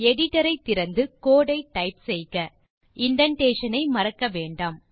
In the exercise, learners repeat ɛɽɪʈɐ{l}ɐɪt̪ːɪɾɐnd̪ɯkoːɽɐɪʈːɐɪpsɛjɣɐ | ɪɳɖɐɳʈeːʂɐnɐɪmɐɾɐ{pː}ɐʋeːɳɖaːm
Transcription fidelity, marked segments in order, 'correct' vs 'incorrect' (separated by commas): incorrect, incorrect